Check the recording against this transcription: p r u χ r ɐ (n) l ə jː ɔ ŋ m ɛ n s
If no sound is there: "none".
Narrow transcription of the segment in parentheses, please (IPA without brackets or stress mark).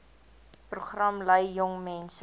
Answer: m